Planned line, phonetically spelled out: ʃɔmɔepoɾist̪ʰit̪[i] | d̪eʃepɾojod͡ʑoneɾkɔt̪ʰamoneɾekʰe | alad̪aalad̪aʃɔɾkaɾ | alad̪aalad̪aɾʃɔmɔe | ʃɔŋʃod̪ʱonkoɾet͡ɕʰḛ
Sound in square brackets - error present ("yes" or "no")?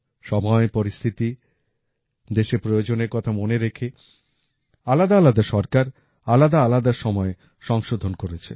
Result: no